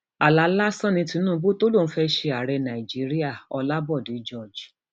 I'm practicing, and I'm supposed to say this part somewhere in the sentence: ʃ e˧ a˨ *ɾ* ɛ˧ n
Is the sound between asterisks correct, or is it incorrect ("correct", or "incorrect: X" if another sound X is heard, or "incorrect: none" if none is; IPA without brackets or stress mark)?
correct